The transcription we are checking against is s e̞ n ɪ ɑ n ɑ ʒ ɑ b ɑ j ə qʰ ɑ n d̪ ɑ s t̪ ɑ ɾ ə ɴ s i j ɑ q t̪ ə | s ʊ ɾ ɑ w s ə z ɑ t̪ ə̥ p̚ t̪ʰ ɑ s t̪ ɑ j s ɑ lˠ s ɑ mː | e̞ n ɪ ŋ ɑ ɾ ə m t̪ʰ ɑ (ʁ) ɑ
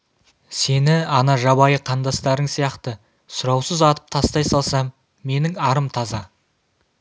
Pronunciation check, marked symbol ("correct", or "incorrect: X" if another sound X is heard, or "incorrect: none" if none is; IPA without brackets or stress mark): incorrect: z